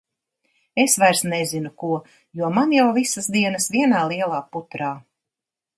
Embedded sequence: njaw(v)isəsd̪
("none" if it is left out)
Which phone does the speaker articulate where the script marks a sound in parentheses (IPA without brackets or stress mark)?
v